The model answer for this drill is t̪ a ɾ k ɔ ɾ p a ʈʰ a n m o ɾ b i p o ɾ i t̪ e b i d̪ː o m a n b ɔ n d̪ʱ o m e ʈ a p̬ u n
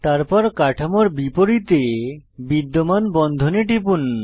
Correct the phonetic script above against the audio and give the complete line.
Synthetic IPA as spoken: t̪ a ɾ p ɔ ɾ k a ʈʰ a m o ɾ b i p o ɾ i t̪ e b i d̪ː o m a n b ɔ n d̪ʱ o n e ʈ i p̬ u n